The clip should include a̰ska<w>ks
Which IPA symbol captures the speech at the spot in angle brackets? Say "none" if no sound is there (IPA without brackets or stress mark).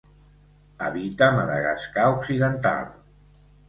u